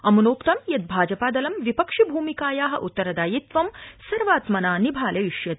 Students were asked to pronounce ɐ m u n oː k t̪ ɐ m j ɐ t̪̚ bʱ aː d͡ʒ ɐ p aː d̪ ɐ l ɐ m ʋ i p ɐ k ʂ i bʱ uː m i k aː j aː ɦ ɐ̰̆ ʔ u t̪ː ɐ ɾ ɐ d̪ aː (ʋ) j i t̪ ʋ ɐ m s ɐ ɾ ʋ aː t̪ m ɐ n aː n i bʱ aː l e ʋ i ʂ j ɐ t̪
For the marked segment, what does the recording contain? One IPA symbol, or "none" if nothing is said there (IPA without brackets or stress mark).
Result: none